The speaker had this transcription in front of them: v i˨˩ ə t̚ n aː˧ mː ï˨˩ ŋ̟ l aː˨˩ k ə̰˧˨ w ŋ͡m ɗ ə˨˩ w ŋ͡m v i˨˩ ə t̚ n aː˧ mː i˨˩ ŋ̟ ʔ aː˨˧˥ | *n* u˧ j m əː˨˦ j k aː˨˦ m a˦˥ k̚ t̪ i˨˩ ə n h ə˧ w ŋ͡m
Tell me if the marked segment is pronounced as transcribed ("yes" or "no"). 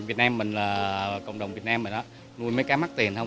yes